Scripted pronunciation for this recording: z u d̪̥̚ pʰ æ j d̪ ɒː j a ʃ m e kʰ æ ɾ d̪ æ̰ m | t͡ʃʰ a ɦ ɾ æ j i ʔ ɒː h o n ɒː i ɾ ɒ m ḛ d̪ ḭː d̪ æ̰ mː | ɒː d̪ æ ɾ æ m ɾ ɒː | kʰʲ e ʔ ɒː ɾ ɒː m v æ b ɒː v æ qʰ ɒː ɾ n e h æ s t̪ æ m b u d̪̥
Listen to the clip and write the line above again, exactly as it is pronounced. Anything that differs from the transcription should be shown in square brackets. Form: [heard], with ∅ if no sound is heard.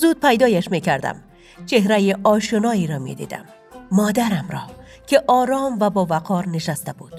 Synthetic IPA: z u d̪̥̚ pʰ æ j d̪ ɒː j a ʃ m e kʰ æ ɾ d̪ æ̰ m | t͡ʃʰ [e] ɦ ɾ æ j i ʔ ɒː [ʃ] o n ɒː i ɾ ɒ m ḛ d̪ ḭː d̪ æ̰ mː | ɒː d̪ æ ɾ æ m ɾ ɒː | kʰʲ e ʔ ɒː ɾ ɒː m v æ b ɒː v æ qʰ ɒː ɾ n e [ʃ] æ s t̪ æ [∅] b u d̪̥